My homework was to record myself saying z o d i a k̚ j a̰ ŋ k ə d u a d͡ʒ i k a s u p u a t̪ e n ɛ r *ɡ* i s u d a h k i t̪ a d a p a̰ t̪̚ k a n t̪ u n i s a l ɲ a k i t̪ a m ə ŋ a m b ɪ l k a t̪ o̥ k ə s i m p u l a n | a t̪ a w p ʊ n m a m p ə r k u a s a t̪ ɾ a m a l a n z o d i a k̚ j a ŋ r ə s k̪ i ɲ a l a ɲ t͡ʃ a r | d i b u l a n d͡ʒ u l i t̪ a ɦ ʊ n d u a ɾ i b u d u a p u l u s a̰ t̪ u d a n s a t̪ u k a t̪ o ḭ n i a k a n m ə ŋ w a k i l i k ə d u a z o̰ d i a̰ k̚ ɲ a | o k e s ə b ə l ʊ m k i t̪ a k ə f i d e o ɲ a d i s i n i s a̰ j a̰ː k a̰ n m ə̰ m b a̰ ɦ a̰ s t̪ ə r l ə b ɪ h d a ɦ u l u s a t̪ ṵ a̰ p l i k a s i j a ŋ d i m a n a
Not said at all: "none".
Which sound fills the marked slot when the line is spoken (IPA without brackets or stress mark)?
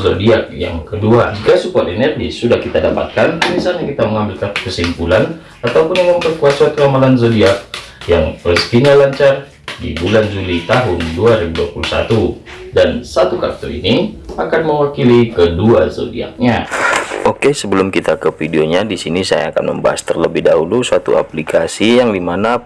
ɡ